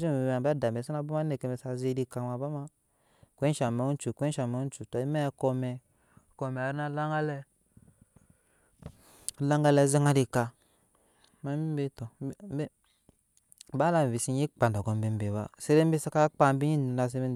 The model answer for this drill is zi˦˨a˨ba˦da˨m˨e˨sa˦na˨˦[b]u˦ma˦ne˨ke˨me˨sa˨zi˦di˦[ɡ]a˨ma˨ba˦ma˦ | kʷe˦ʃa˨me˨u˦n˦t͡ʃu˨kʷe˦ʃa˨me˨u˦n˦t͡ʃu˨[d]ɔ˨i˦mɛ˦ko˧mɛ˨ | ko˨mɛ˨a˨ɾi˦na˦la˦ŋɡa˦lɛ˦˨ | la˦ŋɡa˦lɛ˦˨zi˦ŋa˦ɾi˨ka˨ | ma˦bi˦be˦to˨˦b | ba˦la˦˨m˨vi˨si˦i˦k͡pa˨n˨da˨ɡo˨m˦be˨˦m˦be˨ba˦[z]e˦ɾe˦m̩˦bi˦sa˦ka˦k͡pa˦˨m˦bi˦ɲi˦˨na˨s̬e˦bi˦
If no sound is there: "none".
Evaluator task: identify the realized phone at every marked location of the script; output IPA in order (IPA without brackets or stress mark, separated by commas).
b, k, t, s